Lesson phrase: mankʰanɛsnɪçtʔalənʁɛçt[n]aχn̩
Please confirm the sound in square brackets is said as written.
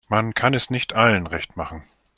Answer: no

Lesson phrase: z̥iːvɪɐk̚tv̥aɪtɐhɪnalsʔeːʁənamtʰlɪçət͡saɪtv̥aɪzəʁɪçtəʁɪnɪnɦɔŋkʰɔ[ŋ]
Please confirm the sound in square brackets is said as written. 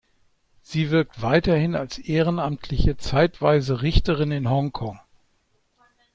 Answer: yes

